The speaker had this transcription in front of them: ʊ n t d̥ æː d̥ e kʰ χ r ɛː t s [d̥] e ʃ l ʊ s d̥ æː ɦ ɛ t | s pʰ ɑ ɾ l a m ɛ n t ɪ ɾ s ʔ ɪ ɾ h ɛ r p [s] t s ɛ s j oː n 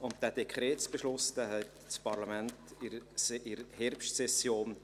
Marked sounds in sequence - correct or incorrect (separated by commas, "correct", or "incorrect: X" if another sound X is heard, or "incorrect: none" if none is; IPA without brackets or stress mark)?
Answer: incorrect: b̥, incorrect: ʃ